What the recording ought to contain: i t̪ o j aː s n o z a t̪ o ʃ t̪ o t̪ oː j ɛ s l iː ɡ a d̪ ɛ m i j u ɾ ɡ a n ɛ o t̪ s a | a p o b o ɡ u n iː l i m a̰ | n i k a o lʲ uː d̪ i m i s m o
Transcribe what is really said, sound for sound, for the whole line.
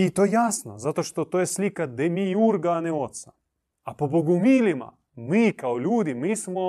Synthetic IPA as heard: i t̪ o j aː s n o z a t̪ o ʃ t̪ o t̪ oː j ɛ s l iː k a d̪ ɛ m i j u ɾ ɡ a n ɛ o t̪ s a | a p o b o ɡ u m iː l i m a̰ | m i k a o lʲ uː d̪ i m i s m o